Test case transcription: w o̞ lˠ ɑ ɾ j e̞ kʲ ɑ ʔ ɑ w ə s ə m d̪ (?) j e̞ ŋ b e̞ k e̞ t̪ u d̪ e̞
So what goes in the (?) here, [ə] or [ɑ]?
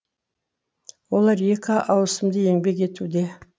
ə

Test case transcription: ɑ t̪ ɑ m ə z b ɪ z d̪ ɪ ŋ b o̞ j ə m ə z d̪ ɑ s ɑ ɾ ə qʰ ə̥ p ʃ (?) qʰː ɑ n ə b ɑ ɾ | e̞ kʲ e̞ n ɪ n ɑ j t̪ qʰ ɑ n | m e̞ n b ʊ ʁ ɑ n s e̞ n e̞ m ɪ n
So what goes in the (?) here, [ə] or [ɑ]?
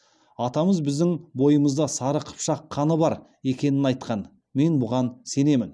ɑ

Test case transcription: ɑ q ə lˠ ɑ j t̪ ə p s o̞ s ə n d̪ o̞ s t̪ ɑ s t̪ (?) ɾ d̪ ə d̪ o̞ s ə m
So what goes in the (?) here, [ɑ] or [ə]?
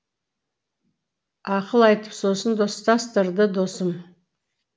ə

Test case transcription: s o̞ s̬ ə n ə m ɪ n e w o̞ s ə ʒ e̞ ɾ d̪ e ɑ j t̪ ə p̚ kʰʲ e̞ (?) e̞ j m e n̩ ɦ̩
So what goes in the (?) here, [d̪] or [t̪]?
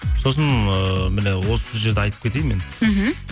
t̪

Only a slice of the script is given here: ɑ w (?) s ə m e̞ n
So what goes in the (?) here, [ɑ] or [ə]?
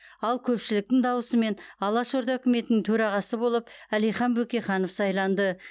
ə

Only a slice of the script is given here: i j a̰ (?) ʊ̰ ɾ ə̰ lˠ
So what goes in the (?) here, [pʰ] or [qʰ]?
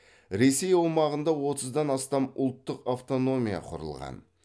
qʰ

